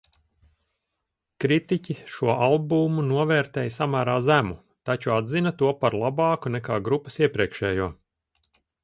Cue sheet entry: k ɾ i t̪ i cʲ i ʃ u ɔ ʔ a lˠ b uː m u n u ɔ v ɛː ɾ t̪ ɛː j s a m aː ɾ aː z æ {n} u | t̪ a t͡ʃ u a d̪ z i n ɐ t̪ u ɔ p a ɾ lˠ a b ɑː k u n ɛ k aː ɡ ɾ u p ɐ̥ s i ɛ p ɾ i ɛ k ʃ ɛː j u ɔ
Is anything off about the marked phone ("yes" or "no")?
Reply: yes